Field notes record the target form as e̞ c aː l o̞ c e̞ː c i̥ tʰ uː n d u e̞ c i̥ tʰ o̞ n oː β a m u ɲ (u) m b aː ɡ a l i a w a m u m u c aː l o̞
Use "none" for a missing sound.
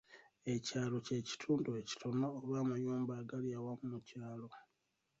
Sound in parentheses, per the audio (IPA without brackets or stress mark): uː